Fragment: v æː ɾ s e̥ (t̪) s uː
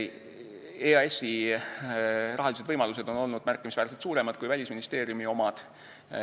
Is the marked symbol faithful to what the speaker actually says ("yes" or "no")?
yes